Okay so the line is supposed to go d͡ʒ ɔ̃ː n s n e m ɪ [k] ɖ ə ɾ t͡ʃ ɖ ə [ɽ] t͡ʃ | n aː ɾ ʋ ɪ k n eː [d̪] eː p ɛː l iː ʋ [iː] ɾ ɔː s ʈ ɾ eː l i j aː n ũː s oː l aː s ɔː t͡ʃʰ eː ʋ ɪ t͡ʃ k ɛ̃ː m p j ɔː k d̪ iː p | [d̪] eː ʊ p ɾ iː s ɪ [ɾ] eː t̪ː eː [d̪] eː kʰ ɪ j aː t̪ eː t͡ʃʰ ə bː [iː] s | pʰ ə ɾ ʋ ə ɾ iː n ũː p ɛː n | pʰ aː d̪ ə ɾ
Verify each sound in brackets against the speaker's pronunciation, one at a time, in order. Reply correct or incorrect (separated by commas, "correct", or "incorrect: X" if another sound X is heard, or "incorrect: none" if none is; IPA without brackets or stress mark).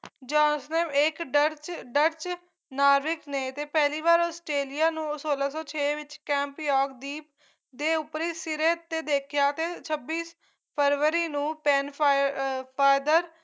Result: correct, incorrect: ɾ, incorrect: t̪, incorrect: aː, correct, correct, correct, correct